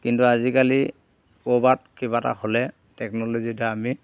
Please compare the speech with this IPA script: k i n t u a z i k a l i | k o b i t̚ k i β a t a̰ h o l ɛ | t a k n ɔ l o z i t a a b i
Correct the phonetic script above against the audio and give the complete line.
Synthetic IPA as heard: k i n t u a z i k a l i | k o b a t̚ k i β a t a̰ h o l ɛ | t ɛ k n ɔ l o z i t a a m i